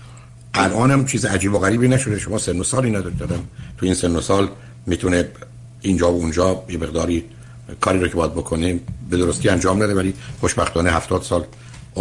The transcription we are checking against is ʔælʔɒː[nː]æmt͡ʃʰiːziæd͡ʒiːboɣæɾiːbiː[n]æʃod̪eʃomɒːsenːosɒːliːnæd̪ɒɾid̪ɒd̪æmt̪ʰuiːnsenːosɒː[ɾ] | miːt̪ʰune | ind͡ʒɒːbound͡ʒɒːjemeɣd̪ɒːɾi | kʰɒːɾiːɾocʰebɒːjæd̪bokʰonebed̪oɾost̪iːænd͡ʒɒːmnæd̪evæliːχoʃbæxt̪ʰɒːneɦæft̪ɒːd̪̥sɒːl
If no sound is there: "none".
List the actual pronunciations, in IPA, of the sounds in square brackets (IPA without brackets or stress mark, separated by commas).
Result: n, n, l